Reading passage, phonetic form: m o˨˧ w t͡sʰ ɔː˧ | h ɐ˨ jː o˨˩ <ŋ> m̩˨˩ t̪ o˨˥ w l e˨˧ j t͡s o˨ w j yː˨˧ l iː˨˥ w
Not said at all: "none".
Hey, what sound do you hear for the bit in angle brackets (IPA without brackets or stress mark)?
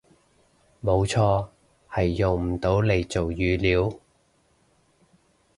ŋ